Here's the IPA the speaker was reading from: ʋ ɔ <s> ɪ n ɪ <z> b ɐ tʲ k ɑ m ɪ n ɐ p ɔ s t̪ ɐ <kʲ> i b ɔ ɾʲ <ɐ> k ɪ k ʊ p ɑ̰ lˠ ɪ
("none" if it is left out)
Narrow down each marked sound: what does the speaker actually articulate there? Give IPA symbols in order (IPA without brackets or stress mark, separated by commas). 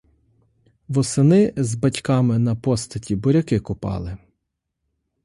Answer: s, z, tʲ, ɐ